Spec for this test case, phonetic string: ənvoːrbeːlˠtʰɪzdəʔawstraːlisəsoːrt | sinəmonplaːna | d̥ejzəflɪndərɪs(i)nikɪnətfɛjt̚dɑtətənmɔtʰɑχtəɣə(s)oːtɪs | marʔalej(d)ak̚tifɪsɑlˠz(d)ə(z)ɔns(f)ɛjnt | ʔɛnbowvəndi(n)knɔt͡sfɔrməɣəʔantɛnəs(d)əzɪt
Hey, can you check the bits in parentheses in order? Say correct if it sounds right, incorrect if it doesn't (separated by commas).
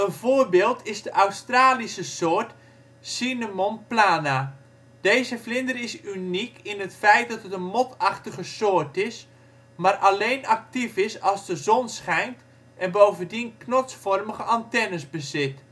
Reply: incorrect, correct, incorrect, correct, correct, incorrect, correct, incorrect